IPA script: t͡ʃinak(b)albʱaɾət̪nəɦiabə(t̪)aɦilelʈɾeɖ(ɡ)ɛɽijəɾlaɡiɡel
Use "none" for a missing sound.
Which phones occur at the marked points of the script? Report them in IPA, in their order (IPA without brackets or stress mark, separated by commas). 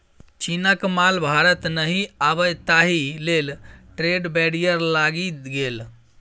m, t̪, b